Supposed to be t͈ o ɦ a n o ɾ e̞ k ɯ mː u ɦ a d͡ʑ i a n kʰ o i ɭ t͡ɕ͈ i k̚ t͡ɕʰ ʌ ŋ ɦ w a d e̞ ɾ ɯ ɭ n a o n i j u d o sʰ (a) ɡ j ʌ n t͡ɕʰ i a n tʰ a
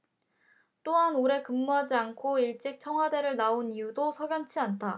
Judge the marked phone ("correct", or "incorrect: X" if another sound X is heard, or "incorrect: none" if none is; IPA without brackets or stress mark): incorrect: ʌ